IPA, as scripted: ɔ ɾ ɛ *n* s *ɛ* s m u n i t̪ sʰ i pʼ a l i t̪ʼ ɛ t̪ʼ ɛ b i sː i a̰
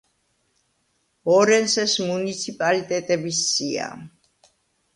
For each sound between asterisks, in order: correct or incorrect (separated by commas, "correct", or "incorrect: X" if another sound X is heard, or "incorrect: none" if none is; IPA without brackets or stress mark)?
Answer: correct, correct